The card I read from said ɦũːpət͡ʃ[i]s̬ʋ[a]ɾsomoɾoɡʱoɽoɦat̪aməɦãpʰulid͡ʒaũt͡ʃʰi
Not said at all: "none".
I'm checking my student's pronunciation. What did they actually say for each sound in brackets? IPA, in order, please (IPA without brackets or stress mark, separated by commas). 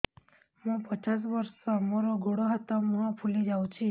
a, ə